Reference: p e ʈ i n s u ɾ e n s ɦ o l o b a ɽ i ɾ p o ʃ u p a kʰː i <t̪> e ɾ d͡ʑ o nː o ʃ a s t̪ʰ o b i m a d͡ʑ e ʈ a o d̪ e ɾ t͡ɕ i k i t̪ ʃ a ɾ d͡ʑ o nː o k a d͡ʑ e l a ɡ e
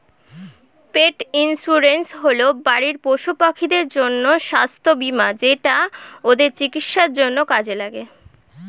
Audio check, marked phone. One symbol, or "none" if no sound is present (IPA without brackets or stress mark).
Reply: d̪